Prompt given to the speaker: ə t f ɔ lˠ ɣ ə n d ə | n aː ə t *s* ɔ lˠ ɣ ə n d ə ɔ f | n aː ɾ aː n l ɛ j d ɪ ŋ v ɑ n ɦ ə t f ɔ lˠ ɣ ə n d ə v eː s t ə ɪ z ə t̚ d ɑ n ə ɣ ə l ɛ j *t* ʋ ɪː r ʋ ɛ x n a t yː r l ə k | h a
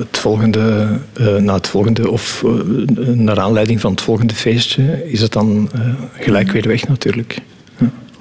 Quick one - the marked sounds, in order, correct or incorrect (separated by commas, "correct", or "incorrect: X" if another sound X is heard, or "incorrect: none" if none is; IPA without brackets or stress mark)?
incorrect: f, incorrect: k